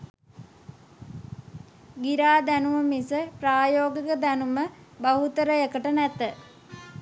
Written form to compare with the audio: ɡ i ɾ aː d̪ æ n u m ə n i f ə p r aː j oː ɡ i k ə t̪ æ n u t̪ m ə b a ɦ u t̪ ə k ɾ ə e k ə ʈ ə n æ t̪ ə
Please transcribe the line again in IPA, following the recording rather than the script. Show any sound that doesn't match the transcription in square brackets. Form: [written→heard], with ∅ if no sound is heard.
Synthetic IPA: ɡ i ɾ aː d̪ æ n u m ə [n→m] i [f→s] ə p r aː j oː ɡ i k ə [t̪→d̪] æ n u [t̪→∅] m ə b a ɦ u t̪ ə [k→∅] ɾ ə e k ə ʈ ə n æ t̪ ə